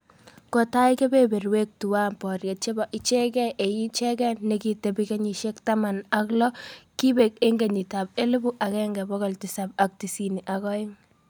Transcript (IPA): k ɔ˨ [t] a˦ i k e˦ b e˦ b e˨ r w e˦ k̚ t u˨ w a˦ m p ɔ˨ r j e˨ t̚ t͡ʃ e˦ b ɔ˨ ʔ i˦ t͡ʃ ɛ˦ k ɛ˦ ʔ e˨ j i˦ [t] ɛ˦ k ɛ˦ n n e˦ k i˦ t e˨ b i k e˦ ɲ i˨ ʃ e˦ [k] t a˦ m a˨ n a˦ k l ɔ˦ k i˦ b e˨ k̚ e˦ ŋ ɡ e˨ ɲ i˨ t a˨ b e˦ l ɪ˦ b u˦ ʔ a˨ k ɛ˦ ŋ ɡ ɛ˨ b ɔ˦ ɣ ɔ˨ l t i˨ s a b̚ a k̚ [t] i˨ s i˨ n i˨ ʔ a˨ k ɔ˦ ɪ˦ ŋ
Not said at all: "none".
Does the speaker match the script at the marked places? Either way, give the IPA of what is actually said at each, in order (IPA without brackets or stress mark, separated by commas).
t, t͡ʃ, k, t